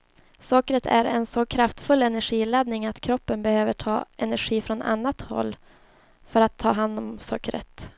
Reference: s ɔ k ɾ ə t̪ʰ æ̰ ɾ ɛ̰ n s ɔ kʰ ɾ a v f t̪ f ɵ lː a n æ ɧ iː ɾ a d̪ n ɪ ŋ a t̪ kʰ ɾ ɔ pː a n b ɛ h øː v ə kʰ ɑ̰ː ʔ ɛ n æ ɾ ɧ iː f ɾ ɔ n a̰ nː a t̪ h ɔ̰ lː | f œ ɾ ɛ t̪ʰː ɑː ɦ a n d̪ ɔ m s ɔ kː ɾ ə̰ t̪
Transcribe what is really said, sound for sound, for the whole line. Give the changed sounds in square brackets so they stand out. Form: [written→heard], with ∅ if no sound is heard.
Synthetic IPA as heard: s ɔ k ɾ ə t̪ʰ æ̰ ɾ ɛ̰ n s ɔ kʰ ɾ a [v→∅] f t̪ f ɵ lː [a→ɛ] n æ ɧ iː [ɾ→l] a d̪ n ɪ ŋ a t̪ kʰ ɾ ɔ pː [a→ə] n b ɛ h øː v ə [kʰ→ʈʰ] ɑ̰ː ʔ ɛ n æ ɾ ɧ iː f ɾ ɔ n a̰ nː a t̪ h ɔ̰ lː | f œ ɾ [ɛ→a] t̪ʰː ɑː ɦ a n d̪ ɔ m s ɔ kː ɾ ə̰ t̪